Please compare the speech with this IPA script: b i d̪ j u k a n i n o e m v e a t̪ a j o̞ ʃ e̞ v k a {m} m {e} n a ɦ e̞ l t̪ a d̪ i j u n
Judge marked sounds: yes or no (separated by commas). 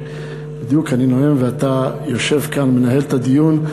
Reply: no, yes